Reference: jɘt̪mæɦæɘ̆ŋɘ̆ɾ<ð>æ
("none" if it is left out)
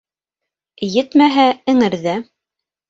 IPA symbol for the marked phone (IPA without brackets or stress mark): ð